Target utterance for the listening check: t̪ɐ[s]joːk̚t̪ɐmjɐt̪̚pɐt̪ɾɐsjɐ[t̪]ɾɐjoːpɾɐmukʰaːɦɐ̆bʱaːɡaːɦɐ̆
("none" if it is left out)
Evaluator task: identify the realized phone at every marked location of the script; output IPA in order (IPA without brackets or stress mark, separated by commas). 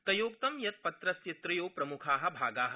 none, t̪